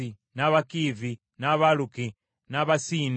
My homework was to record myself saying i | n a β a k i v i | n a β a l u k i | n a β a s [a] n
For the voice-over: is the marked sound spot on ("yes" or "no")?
no